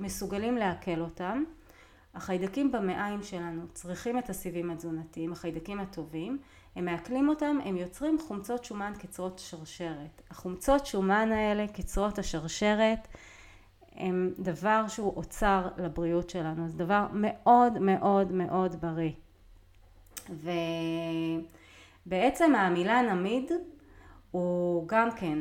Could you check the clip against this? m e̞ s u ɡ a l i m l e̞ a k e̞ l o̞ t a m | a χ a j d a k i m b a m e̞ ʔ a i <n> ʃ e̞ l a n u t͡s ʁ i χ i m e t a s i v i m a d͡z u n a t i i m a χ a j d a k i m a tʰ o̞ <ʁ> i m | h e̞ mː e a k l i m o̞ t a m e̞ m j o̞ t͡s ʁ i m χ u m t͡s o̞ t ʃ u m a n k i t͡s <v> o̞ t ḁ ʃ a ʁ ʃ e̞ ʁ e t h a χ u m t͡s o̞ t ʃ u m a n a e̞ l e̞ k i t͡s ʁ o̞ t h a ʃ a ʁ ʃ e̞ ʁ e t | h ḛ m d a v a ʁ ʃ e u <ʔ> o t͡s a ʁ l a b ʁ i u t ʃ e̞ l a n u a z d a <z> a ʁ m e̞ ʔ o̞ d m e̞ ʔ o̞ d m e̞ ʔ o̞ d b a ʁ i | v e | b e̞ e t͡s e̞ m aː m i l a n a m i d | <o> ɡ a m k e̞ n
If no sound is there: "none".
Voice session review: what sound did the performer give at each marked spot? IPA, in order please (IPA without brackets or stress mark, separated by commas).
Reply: m, v, ʁ, ʔ, v, u